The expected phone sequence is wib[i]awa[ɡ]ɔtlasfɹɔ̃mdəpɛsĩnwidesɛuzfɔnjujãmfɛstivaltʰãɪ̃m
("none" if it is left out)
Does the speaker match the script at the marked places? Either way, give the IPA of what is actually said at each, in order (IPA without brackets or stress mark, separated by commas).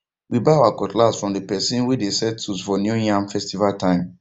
a, k